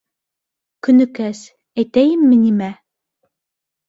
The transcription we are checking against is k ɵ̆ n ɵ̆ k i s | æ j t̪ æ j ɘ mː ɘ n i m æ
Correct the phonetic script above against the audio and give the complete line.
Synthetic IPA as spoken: k ɵ̆ n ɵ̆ k æ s | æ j t̪ æ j ɘ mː ɘ n i m æ